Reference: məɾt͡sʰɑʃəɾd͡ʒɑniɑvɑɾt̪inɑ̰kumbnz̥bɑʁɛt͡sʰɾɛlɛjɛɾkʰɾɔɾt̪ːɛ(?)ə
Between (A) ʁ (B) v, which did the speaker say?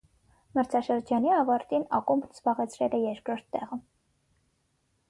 A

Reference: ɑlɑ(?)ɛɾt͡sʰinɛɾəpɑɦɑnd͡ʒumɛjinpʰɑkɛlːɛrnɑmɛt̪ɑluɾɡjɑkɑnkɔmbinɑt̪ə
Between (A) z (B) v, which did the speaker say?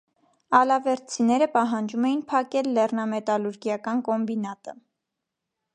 B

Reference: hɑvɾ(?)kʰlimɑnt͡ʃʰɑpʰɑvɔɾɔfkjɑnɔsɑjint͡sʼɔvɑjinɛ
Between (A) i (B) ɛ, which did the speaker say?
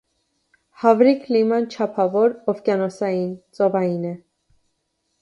A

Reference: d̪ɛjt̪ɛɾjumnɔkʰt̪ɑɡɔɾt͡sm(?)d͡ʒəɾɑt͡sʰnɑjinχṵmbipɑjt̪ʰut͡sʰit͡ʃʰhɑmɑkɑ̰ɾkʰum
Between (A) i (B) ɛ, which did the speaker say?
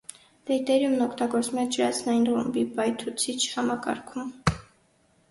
B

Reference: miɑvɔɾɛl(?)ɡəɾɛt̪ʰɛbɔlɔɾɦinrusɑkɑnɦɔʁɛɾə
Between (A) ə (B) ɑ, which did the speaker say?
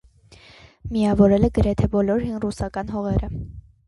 A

